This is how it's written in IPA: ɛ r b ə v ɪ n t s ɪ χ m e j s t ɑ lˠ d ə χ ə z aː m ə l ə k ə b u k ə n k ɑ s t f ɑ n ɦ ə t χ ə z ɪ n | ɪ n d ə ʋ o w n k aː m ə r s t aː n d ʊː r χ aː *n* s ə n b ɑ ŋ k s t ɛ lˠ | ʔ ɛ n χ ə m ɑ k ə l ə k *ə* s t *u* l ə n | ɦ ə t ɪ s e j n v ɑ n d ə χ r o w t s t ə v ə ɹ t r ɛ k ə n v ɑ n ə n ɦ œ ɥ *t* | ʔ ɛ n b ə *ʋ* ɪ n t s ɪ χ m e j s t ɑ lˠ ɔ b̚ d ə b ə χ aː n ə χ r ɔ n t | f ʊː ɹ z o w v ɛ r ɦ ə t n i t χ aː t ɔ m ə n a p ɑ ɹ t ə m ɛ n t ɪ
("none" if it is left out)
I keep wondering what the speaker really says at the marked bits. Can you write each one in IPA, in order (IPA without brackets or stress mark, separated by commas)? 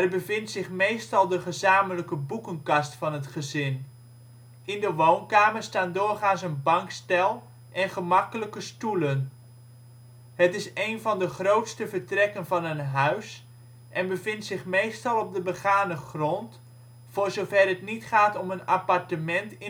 n, ə, u, s, v